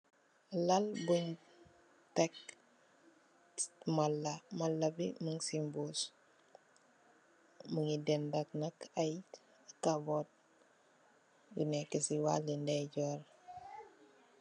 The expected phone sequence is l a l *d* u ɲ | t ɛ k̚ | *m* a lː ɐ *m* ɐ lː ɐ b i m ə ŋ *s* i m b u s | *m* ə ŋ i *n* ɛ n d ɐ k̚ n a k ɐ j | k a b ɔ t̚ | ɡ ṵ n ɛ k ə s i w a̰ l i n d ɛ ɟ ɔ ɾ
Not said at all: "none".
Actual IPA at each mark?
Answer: b, m, m, s, m, d

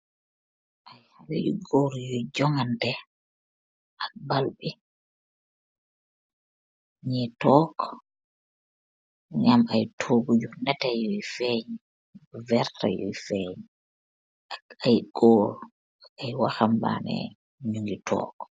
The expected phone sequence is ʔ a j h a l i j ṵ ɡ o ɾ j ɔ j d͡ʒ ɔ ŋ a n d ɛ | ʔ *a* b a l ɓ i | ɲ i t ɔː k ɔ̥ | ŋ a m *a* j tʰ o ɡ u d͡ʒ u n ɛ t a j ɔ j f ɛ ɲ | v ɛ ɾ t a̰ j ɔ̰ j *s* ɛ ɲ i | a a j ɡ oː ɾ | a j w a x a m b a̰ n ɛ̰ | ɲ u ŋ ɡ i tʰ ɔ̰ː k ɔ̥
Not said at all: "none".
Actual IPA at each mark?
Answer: a, a, f

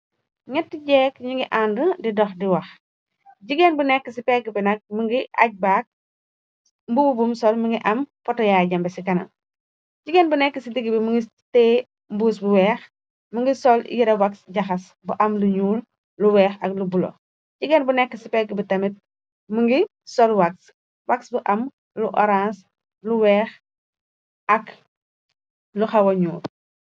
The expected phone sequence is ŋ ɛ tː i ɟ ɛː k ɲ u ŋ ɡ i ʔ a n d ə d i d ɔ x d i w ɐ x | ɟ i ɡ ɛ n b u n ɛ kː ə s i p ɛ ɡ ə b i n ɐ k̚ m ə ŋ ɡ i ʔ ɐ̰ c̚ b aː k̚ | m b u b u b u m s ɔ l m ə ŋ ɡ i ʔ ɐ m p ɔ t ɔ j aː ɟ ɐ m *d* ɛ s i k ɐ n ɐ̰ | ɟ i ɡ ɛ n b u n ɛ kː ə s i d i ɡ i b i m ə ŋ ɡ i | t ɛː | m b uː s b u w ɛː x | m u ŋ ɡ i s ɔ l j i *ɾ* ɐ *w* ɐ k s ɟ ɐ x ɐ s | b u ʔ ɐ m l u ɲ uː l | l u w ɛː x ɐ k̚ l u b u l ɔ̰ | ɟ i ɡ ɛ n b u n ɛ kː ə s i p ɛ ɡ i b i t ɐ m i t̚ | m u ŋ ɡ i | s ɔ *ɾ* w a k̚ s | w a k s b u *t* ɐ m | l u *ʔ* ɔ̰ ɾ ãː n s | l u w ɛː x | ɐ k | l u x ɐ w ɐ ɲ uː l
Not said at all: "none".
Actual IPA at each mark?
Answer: b, ɾ, w, l, ʔ, ʔ

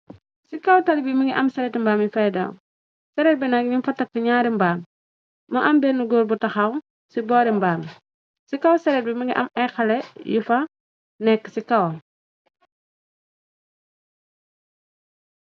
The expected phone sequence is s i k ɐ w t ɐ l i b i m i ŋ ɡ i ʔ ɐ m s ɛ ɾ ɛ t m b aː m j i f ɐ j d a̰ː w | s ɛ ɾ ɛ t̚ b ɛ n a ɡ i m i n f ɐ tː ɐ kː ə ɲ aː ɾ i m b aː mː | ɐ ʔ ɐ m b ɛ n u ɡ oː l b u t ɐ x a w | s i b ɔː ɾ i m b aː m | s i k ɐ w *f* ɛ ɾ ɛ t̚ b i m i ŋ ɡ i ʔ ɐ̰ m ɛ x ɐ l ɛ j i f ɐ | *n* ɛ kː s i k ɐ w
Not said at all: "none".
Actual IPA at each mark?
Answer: s, n

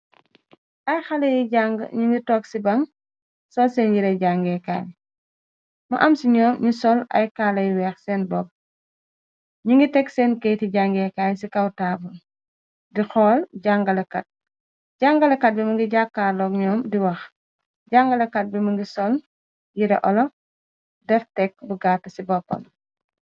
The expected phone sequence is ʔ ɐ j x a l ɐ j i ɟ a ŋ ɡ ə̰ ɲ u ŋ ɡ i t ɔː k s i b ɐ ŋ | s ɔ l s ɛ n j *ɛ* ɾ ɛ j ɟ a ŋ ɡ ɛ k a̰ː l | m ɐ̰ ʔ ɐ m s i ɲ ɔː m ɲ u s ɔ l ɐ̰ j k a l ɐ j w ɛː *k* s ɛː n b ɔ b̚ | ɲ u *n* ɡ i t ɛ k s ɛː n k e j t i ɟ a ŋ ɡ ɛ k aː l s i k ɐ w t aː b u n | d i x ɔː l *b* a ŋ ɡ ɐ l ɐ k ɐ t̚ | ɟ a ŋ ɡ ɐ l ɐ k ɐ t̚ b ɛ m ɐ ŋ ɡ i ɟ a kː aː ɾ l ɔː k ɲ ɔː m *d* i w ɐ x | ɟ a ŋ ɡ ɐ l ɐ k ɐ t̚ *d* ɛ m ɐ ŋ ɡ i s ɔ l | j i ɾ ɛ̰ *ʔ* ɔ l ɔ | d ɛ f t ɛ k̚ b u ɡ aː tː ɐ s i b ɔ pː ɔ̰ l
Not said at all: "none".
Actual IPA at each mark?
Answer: i, x, ŋ, ɟ, d, b, ʔ

